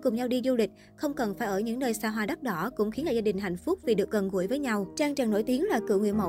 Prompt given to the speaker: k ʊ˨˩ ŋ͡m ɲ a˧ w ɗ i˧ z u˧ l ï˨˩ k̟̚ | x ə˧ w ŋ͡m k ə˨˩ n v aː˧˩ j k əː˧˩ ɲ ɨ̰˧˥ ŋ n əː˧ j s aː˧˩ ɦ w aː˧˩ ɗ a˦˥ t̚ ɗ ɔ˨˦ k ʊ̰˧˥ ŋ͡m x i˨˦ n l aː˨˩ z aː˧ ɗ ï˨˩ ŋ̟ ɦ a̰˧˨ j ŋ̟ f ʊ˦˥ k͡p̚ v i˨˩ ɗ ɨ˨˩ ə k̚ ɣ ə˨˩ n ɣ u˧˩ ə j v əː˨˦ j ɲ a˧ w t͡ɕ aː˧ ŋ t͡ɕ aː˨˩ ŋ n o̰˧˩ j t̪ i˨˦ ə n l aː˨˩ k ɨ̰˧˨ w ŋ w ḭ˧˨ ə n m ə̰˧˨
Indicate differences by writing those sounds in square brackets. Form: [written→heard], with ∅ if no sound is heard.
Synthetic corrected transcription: k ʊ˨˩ ŋ͡m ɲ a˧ w ɗ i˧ z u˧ l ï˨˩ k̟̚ | x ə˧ w ŋ͡m k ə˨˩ n [v→f] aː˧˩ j [k→ʔ] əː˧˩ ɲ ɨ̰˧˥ ŋ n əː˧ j s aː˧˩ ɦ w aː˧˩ ɗ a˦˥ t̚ ɗ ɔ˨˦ k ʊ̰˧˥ ŋ͡m x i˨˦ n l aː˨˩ z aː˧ ɗ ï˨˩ ŋ̟ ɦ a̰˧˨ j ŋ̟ f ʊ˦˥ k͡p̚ v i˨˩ ɗ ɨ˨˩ ə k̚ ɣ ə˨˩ n ɣ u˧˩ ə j v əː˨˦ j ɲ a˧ w t͡ɕ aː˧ ŋ t͡ɕ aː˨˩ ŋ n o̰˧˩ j t̪ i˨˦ ə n l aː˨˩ k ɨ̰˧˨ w ŋ w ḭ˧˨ ə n m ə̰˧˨